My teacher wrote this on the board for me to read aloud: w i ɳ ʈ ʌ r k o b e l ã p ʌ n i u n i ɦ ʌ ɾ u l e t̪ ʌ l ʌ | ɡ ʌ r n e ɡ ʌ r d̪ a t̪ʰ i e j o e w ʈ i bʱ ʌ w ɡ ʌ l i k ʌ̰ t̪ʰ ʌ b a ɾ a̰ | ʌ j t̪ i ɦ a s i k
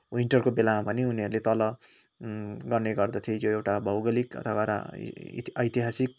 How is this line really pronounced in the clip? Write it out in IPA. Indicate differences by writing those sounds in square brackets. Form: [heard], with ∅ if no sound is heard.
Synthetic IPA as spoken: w i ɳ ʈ ʌ r k o b e l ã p ʌ n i u n i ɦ ʌ ɾ u l e t̪ ʌ l ʌ | ɡ ʌ r n e ɡ ʌ r d̪ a t̪ʰ i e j o e w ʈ [a] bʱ ʌ w ɡ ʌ l i k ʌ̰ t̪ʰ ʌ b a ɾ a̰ | ʌ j t̪ i ɦ a s i k